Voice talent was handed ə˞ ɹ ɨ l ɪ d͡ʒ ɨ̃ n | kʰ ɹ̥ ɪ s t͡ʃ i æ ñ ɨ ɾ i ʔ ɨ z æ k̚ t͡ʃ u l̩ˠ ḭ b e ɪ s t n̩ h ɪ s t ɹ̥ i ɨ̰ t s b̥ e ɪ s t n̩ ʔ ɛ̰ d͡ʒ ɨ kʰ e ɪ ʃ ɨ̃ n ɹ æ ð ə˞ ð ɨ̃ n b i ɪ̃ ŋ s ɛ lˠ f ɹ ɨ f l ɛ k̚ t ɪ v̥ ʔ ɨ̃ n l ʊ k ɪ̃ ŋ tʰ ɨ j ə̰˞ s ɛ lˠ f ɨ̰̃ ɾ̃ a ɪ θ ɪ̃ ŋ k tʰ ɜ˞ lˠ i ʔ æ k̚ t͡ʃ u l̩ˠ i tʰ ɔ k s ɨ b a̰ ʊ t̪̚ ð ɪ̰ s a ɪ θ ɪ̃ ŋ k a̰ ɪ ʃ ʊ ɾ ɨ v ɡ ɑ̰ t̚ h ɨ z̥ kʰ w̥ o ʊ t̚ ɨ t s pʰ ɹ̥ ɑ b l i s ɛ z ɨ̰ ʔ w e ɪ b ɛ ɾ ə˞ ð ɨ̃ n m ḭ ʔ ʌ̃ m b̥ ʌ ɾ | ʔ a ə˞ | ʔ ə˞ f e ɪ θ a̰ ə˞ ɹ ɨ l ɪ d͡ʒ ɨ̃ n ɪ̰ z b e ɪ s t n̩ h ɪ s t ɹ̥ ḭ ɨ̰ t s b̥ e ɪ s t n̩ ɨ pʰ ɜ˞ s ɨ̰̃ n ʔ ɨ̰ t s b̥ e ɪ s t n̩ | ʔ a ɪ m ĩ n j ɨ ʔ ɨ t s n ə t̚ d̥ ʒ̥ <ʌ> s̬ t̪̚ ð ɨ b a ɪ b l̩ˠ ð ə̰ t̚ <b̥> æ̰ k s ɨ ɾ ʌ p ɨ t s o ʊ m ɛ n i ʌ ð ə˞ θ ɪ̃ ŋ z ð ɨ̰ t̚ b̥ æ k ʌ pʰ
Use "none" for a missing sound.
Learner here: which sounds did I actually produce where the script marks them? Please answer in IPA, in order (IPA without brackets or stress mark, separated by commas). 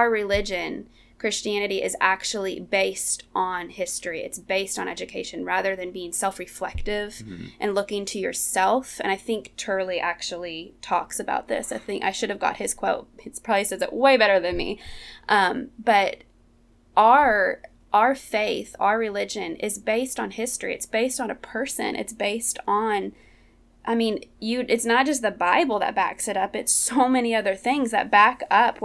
ʌ, b̥